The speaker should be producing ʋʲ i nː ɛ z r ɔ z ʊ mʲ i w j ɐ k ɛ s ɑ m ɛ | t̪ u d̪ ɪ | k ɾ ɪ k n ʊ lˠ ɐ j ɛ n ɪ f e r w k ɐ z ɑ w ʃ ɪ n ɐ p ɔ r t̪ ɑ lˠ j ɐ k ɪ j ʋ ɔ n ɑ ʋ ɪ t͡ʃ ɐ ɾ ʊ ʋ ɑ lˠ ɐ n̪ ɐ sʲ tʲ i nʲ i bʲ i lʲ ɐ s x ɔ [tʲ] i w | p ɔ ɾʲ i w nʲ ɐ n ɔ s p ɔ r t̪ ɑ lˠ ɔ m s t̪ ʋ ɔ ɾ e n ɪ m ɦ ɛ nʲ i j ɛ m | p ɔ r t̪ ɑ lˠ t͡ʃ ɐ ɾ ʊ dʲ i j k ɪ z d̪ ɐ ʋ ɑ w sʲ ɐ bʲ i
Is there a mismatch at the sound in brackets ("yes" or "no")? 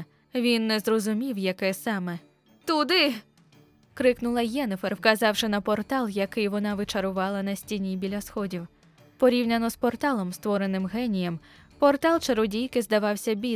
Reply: yes